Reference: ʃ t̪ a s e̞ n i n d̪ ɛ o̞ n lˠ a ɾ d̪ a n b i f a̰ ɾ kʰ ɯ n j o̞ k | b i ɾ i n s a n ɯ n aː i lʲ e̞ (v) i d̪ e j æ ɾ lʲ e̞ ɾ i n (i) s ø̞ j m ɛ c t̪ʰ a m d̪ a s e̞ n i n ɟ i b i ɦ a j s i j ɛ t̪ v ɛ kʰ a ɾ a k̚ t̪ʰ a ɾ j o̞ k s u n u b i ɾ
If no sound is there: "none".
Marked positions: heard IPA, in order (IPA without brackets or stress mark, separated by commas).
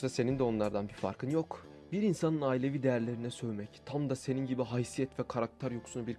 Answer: v, ɛ